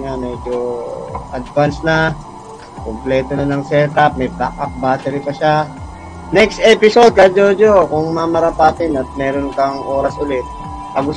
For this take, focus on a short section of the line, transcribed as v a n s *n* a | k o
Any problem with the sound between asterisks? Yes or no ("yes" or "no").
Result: no